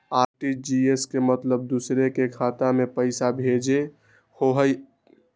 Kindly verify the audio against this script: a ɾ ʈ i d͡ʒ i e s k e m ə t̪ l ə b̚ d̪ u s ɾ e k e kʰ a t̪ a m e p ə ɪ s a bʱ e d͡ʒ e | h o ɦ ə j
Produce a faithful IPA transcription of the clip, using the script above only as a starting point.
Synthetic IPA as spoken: a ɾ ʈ i d͡ʒ i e s k e m ə t̪ l ə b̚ d̪ u s ɾ e k e kʰ a t̪ a m e p ə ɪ s a bʱ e d͡ʒ e | h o ɦ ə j